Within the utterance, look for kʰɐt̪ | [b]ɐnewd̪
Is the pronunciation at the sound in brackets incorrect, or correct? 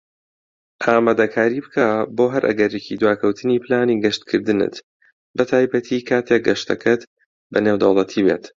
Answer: correct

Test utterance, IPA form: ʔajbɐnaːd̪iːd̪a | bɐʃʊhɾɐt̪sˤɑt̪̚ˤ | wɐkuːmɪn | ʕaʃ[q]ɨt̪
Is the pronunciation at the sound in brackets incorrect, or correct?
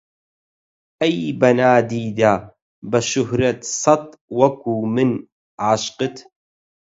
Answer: correct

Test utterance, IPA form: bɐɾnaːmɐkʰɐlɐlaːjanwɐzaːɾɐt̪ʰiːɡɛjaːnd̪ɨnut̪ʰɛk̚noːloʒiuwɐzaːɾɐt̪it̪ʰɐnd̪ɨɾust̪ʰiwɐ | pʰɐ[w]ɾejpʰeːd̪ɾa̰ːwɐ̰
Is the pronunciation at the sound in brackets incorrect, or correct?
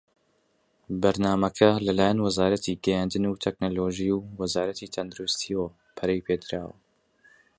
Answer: incorrect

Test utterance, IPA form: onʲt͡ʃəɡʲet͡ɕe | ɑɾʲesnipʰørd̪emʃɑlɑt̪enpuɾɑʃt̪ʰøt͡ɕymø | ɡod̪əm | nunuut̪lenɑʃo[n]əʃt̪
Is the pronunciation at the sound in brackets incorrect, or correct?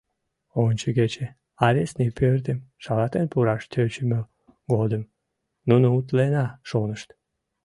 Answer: correct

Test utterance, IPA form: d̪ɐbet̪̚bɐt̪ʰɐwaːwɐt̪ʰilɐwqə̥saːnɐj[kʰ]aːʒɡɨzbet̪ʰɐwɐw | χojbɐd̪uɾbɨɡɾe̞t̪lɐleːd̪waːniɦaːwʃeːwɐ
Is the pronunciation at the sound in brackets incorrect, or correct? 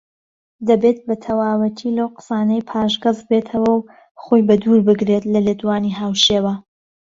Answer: incorrect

